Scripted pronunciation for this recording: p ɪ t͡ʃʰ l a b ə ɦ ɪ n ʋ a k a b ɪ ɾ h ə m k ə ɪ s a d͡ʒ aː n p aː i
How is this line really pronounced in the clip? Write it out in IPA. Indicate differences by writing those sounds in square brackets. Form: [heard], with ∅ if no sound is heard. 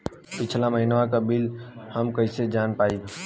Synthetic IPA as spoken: p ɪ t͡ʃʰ l a [m] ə ɦ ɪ n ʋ a k a b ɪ [l] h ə m k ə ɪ s [e] d͡ʒ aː n p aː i